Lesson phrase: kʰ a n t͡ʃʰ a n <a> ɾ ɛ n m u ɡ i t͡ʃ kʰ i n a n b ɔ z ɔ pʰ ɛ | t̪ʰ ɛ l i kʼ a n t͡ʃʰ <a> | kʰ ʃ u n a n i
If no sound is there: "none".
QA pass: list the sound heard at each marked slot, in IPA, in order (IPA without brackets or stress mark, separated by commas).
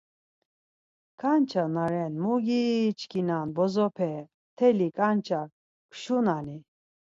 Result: a, a